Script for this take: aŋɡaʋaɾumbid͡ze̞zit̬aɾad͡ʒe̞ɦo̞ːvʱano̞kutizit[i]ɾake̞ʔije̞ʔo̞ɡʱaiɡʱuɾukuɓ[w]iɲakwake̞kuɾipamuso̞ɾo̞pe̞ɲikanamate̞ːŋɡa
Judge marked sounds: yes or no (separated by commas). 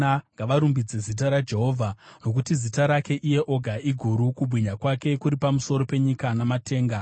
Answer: no, yes